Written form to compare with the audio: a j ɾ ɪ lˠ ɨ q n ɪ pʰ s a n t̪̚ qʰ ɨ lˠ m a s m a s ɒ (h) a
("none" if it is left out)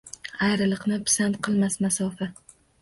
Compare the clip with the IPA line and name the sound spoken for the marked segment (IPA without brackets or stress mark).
f